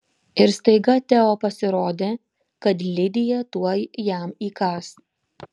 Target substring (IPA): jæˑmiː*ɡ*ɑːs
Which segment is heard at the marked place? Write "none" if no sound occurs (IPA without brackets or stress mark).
k